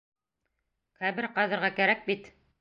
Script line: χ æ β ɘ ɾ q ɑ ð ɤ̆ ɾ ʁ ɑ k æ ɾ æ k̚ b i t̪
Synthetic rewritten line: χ æ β ɘ ɾ q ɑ ð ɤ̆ ɾ ʁ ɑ k æ ɾ æ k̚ b i t̪